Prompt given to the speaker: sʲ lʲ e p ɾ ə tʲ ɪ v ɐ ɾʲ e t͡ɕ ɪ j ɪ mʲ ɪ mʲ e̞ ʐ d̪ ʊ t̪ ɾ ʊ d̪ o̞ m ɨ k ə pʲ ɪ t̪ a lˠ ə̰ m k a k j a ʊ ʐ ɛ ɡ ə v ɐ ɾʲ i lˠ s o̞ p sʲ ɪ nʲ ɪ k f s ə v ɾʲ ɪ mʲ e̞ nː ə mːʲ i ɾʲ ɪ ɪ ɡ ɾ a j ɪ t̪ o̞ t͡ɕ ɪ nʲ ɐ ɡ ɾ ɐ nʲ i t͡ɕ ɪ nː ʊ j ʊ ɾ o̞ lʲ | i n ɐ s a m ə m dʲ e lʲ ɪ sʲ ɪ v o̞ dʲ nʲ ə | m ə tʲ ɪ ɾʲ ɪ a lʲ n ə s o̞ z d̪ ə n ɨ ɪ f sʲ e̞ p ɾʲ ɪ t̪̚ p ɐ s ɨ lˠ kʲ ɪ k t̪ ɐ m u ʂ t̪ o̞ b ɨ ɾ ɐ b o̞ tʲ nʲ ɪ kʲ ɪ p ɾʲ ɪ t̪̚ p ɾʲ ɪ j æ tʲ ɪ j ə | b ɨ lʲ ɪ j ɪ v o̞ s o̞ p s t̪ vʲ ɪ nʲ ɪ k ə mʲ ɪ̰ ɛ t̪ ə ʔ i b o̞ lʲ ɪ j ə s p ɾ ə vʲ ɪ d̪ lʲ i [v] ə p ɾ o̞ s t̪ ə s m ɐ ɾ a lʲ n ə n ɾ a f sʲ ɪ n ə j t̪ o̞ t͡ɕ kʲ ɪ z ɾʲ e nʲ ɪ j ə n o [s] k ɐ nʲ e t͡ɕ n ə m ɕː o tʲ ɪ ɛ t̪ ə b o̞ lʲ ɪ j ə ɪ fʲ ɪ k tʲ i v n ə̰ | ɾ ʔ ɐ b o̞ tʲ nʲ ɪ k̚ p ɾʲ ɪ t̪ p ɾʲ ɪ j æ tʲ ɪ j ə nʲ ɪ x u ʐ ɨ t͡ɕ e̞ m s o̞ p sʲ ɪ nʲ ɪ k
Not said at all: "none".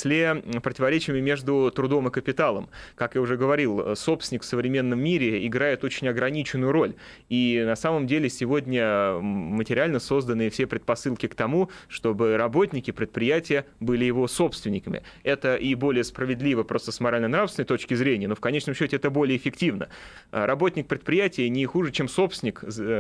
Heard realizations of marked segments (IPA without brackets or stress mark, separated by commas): v, f